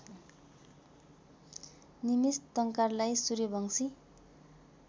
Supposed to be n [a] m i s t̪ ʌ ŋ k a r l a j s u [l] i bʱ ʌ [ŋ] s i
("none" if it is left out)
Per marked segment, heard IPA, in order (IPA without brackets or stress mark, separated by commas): i, ɾ, ŋ